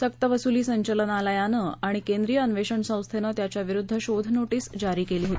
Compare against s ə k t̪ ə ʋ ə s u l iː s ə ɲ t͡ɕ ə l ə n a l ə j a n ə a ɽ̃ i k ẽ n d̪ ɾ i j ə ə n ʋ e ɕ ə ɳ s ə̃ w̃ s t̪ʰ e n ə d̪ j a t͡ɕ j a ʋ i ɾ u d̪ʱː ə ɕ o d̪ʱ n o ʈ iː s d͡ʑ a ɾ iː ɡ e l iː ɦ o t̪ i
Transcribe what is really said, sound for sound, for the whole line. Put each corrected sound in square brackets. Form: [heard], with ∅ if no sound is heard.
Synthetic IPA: s ə k t̪ ə ʋ ə s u l iː s ə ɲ t͡ɕ ə l ə n a l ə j a n ə a ɽ̃ i k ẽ n d̪ ɾ i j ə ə n ʋ e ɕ ə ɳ s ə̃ w̃ s t̪ʰ e n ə [t̪] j a t͡ɕ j a ʋ i ɾ u d̪ʱː ə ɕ o d̪ʱ n o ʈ iː s d͡ʑ a ɾ iː [k] e l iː ɦ o t̪ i